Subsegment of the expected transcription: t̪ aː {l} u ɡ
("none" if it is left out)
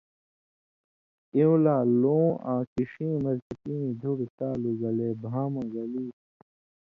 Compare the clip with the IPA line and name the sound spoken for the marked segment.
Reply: l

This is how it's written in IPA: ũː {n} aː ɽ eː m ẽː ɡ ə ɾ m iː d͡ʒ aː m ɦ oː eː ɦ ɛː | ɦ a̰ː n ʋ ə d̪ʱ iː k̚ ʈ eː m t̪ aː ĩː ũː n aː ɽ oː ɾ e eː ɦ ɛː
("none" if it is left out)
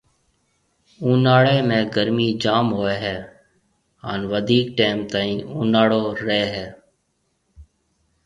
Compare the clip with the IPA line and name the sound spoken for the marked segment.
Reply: n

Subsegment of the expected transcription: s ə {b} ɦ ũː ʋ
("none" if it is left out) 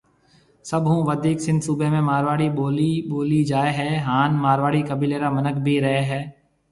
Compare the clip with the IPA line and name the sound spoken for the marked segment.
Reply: b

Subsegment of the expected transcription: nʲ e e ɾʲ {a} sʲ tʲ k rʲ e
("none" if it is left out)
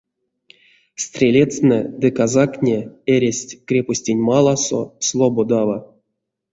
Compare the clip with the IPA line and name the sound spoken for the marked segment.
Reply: e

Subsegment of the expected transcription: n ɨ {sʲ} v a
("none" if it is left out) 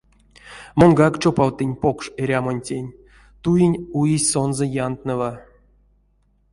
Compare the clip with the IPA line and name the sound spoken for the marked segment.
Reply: none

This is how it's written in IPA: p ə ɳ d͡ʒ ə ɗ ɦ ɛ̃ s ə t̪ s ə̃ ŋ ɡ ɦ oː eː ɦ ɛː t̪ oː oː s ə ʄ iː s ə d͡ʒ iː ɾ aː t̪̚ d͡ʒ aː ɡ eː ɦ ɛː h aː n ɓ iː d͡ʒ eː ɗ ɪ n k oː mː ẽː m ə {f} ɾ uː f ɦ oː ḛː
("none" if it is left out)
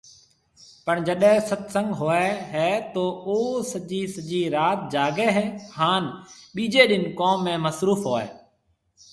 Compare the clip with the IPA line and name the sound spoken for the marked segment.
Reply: s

